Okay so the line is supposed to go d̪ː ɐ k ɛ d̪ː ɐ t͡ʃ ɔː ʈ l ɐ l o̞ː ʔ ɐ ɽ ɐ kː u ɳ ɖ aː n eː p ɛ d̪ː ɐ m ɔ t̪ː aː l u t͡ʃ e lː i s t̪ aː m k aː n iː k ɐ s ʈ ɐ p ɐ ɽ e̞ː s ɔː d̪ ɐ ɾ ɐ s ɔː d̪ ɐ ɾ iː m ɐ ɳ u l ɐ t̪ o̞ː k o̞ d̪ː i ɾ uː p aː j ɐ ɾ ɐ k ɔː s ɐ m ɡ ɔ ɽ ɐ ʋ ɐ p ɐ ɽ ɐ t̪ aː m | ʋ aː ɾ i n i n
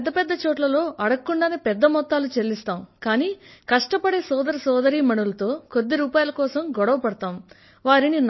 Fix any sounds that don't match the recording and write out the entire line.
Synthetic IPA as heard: d̪ː ɐ p ɛ d̪ː ɐ t͡ʃ ɔː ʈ l ɐ l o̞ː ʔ ɐ ɽ ɐ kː u ɳ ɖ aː n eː p ɛ d̪ː ɐ m ɔ t̪ː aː l u t͡ʃ e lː i s t̪ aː m k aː n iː k ɐ ʂ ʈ ɐ p ɐ ɽ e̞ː s ɔː d̪ ɐ ɾ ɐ s ɔː d̪ ɐ ɾ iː m ɐ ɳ u l ɐ t̪ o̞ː k o̞ d̪ː i ɾ uː p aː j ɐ l ɐ k ɔː s ɐ m ɡ ɔ ɽ ɐ ʋ ɐ p ɐ ɽ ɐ t̪ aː m | ʋ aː ɾ i n i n